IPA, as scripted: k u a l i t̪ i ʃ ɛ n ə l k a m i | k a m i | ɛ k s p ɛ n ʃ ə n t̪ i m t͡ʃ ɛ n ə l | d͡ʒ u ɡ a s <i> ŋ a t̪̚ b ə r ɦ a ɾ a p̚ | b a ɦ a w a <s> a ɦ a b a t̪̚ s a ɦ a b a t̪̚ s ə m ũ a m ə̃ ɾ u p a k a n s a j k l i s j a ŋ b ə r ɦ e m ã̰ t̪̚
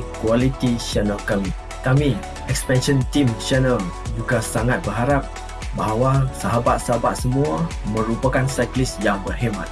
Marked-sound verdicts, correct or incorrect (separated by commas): incorrect, correct